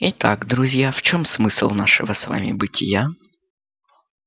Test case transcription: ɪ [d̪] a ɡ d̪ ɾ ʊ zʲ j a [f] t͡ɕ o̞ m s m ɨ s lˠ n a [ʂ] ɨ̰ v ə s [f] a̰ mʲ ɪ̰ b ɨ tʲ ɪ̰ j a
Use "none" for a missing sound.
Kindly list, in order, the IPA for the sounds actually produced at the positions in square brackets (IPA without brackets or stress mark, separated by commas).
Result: t̪, f, ʂ, v